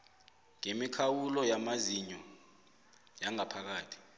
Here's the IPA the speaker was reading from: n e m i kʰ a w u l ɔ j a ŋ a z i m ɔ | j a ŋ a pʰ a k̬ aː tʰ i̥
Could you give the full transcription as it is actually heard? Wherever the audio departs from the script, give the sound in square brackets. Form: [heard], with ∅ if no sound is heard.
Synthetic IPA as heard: [ŋ] e m i kʰ a w u l ɔ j a [m] a z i [ɲ] ɔ | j a ŋ a pʰ a k̬ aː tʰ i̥